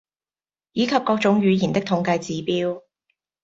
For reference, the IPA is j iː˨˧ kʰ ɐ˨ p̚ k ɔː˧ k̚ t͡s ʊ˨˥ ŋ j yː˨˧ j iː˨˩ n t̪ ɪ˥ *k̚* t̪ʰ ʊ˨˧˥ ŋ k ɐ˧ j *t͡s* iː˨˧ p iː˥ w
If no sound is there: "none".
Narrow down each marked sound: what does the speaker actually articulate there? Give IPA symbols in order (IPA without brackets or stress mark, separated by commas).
k̚, t͡s